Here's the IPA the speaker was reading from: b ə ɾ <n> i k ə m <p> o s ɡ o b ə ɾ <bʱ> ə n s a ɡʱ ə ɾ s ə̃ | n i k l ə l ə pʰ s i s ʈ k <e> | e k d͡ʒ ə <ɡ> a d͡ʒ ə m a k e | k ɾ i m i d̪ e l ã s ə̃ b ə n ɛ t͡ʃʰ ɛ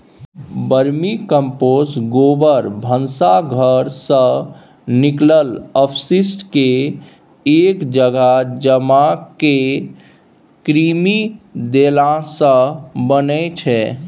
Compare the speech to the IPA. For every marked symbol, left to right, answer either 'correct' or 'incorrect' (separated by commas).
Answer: incorrect, correct, correct, correct, correct